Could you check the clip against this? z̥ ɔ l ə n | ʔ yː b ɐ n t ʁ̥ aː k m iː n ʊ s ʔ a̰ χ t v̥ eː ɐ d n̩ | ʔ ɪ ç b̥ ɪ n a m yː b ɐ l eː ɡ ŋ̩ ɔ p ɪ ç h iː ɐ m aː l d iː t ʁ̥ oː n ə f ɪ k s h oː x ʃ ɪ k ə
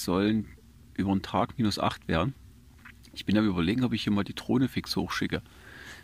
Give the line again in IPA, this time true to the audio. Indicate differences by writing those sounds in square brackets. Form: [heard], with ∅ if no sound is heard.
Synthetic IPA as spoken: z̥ ɔ l ə n | ʔ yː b ɐ n t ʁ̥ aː k m iː n ʊ s ʔ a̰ χ t v̥ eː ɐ d n̩ | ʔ ɪ ç b̥ ɪ n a m yː b ɐ l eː ɡ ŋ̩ ɔ p ɪ ç h iː ɐ m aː l d iː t ʁ̥ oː n ə f ɪ k s h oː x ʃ ɪ k ə